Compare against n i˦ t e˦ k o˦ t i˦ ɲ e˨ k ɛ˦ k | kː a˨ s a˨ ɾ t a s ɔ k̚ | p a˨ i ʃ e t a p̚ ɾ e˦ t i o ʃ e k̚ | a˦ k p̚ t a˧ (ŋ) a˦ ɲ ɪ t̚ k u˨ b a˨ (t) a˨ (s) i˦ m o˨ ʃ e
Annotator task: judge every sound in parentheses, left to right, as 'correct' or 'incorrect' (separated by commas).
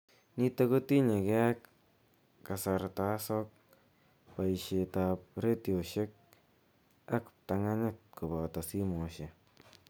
correct, correct, correct